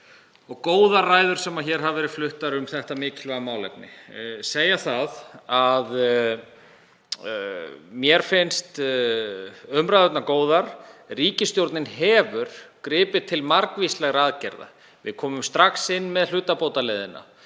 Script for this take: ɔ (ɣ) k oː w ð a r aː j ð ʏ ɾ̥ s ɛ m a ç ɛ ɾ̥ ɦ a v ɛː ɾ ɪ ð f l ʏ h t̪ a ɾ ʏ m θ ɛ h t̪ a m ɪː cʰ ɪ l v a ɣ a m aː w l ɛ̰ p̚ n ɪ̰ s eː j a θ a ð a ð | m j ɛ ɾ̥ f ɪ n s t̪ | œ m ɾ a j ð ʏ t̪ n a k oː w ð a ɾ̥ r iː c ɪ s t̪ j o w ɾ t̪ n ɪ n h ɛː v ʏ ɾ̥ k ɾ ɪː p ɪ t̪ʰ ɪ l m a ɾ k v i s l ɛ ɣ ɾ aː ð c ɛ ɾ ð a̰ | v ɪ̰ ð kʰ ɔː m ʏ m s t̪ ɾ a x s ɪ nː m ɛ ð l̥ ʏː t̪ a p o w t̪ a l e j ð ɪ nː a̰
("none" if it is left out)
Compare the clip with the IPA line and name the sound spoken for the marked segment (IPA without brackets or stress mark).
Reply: ɣ